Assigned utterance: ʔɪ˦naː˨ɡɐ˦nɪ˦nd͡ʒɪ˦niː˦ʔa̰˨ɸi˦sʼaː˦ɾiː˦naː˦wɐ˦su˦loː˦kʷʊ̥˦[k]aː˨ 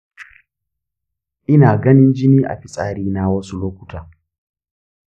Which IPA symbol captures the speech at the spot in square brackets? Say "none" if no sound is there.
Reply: t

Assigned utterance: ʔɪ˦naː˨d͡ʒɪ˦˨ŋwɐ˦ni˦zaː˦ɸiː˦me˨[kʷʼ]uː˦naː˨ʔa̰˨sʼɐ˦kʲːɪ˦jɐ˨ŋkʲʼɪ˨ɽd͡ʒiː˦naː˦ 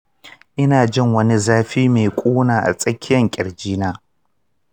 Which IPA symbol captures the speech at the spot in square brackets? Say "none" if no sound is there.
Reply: kʷʼ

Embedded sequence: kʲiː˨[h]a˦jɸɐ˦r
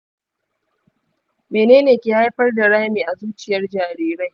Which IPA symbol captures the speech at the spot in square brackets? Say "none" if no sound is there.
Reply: h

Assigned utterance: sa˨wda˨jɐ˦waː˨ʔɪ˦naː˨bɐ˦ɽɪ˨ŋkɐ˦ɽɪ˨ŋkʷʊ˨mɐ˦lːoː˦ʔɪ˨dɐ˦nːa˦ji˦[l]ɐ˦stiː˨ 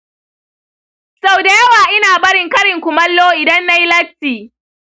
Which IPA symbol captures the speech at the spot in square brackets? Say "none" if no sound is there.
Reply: l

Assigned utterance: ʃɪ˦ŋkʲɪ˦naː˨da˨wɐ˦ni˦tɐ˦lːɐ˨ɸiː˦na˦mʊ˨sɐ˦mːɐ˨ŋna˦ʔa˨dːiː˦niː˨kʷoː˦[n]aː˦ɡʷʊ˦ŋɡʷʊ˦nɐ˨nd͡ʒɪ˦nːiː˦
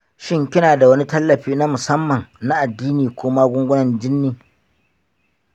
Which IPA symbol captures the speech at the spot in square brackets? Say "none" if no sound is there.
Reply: m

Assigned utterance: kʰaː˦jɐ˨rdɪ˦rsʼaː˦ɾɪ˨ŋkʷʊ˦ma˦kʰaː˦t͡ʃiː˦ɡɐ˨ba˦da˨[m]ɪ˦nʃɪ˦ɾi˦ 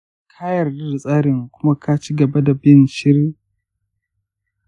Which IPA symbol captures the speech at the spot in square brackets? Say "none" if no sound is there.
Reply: b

